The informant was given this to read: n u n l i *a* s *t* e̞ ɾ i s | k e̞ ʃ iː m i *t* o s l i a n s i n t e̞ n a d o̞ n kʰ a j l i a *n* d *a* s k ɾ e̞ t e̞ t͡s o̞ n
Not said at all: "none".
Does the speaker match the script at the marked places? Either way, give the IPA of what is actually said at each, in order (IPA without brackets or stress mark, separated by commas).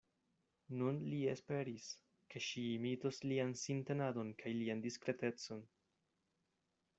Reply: e, p, t, n, i